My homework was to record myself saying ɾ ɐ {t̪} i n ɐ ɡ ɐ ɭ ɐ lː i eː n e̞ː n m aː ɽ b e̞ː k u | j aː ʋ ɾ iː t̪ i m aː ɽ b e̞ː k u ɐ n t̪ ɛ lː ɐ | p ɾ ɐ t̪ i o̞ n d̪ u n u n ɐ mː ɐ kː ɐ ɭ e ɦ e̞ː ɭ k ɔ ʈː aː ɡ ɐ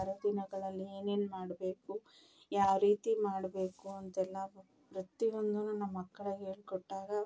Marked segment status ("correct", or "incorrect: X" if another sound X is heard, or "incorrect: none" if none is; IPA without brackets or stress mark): incorrect: d̪